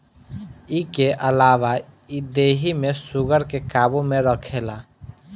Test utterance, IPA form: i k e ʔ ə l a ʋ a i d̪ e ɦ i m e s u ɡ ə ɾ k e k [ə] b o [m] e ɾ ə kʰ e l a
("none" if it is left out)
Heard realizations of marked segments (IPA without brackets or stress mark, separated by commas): a, m